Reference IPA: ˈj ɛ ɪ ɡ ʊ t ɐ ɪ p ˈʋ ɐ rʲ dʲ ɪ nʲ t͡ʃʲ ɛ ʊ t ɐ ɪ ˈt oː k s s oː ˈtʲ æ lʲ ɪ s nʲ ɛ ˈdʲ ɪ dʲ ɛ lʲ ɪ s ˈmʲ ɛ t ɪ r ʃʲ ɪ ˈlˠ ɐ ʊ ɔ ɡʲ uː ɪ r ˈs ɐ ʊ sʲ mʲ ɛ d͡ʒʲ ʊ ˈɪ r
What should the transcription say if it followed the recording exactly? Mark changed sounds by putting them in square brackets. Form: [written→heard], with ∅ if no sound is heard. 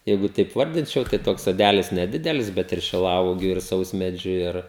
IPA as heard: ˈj ɛ ɪ ɡ ʊ t ɐ ɪ p ˈʋ ɐ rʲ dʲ ɪ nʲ t͡ʃʲ ɛ ʊ t ɐ ɪ ˈt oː k s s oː [ˈtʲ→ˈdʲ] æ lʲ ɪ s nʲ ɛ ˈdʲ ɪ dʲ ɛ lʲ ɪ s [ˈmʲ→ˈbʲ] ɛ t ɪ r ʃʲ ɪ ˈlˠ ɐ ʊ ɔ ɡʲ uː ɪ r ˈs ɐ ʊ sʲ mʲ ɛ d͡ʒʲ ʊ ˈɪ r